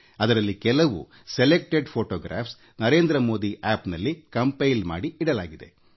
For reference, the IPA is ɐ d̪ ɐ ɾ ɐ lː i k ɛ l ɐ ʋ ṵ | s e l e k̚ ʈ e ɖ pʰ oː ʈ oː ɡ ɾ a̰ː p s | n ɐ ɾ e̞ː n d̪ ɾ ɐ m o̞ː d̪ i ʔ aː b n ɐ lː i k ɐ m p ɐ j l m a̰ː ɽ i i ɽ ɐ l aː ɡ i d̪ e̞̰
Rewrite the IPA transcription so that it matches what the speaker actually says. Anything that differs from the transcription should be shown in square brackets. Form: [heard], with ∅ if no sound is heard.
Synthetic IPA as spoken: ɐ d̪ ɐ ɾ ɐ lː i k ɛ l ɐ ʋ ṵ | s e l e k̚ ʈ e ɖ pʰ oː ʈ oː ɡ ɾ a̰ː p s | n ɐ ɾ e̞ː n d̪ ɾ ɐ m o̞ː d̪ i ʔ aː [p] n ɐ lː i k ɐ m p ɐ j l m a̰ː ɽ i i ɽ ɐ l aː ɡ i d̪ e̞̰